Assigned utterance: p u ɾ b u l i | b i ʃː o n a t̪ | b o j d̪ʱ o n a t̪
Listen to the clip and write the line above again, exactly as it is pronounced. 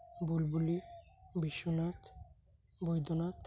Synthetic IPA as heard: b u l b u l i | b i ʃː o n a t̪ | b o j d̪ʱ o n a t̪